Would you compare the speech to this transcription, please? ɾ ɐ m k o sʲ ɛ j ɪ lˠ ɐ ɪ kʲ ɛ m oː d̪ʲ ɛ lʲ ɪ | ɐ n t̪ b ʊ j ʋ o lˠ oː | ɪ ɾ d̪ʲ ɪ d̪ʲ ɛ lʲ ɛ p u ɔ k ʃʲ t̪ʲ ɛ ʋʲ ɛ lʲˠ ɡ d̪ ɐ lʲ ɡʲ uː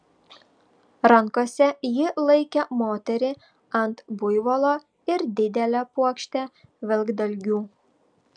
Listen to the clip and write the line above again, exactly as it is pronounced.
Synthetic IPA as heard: ɾ ɐ ŋ k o sʲ ɛ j ɪ lˠ ɐ ɪ kʲ ɛ m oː t̪ʲ ɛ ɾʲ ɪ | ɐ n t̪ b ʊ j ʋ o lˠ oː | ɪ ɾ d̪ʲ ɪ d̪ʲ ɛ lʲ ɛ p u ɔ k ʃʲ t̪ʲ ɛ ʋʲ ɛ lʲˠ ɡ d̪ ɐ lʲ ɡʲ uː